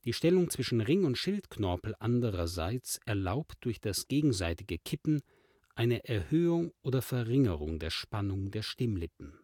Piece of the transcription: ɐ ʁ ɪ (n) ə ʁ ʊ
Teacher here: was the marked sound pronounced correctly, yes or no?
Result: no